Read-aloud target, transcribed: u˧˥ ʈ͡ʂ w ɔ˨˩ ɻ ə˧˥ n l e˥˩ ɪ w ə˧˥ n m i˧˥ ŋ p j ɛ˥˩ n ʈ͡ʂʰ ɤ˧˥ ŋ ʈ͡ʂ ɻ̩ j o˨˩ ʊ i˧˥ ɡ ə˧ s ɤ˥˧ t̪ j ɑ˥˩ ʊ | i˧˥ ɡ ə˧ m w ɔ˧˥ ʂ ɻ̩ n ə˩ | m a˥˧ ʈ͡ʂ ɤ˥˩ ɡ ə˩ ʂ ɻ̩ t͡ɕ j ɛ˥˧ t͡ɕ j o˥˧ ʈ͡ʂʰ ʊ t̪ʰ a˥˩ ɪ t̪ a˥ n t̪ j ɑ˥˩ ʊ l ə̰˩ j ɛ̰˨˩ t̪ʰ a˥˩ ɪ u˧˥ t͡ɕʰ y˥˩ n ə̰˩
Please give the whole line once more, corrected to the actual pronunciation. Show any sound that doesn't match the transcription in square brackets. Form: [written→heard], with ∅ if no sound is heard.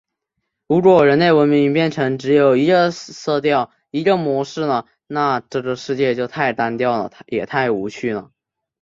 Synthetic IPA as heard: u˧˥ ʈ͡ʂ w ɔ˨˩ ɻ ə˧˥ n l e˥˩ ɪ w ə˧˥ n m i˧˥ ŋ p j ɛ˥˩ n ʈ͡ʂʰ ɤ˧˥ ŋ ʈ͡ʂ ɻ̩ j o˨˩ ʊ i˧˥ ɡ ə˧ s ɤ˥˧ t̪ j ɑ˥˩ ʊ | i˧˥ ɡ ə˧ m w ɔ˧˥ ʂ ɻ̩ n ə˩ | [m→n] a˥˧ ʈ͡ʂ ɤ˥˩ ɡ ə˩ ʂ ɻ̩ t͡ɕ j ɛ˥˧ t͡ɕ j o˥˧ [ʈ͡ʂʰ→∅] ʊ t̪ʰ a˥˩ ɪ t̪ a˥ n t̪ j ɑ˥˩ ʊ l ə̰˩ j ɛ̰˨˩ t̪ʰ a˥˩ ɪ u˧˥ t͡ɕʰ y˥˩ n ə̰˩